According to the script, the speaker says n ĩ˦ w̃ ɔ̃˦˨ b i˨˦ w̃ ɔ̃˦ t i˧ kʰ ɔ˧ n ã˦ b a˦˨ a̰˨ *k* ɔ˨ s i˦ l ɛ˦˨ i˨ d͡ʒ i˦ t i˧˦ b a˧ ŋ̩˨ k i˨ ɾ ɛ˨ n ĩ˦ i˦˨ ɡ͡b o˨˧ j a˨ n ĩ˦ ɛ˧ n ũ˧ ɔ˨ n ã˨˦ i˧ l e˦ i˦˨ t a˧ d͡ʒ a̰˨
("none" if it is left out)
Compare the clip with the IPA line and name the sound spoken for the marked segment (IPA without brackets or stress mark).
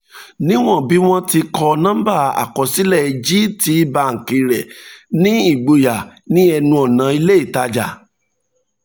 k